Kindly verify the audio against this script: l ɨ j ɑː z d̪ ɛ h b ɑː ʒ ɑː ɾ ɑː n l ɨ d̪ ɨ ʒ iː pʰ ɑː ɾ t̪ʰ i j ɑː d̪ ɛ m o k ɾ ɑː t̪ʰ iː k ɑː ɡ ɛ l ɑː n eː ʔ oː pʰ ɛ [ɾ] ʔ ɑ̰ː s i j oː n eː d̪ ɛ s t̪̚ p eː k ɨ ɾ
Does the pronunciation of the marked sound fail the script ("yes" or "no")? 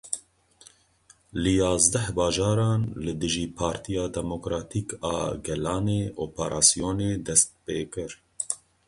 no